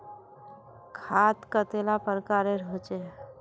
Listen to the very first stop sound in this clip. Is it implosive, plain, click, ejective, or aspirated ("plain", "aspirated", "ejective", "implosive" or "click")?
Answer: aspirated